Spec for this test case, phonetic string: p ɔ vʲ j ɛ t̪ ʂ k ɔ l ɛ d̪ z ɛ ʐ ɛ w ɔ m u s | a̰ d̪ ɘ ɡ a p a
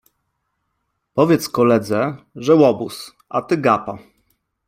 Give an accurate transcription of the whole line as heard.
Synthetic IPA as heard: p ɔ vʲ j ɛ t̪ s k ɔ l ɛ d̪ z ɛ ʐ ɛ w ɔ b u s | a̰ t̪ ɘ ɡ a p a